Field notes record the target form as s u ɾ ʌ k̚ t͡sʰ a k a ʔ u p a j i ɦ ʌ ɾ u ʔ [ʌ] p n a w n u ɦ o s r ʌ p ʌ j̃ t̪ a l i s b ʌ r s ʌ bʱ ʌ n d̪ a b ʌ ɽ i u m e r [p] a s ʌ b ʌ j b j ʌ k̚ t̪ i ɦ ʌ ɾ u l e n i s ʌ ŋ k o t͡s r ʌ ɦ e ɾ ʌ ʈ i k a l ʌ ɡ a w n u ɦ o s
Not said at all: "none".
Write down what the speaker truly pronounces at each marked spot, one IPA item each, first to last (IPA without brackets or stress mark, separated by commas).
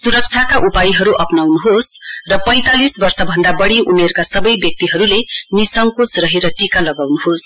ʌ, k